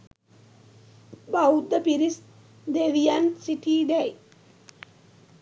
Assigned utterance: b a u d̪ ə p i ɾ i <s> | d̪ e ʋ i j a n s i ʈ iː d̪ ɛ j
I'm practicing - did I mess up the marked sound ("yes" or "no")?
no